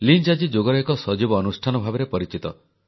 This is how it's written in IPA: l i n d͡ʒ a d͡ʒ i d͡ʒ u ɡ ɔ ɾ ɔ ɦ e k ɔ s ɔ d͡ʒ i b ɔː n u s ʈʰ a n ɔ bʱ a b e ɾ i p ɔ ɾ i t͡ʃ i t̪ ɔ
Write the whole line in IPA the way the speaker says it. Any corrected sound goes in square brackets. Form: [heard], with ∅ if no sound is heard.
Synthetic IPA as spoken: l i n d͡ʒ a d͡ʒ i d͡ʒ [o] ɡ ɔ ɾ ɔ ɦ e k ɔ s ɔ d͡ʒ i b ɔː n u s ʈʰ a n ɔ bʱ a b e ɾ [e] p ɔ ɾ i t͡ʃ i t̪ ɔ